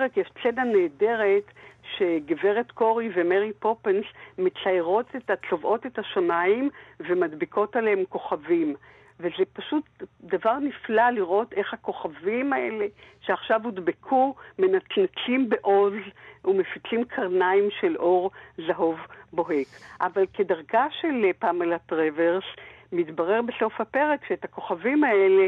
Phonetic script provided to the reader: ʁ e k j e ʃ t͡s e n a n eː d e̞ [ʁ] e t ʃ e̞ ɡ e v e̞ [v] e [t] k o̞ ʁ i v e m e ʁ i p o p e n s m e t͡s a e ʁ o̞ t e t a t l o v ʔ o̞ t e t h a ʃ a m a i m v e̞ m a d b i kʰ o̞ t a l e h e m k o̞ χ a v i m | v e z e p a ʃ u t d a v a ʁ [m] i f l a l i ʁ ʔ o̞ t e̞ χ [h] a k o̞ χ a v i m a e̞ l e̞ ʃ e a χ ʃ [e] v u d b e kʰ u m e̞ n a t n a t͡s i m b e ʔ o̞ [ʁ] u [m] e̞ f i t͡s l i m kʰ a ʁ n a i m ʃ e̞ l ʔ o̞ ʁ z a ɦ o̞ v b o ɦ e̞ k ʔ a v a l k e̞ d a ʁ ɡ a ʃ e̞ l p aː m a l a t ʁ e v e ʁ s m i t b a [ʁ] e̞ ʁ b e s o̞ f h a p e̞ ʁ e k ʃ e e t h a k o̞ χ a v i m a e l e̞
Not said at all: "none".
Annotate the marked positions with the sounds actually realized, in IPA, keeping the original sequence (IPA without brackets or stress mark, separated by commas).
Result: ʁ, ʁ, t, n, h, a, z, m, ʁ